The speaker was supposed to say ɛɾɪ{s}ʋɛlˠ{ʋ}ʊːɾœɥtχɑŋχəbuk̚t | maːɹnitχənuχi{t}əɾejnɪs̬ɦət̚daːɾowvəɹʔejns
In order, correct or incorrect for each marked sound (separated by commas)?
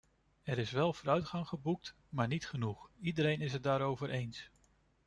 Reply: correct, incorrect, incorrect